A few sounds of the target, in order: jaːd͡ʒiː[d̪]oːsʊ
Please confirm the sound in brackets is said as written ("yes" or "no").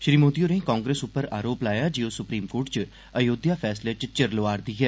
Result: no